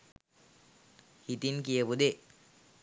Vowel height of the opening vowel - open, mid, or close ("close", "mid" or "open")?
close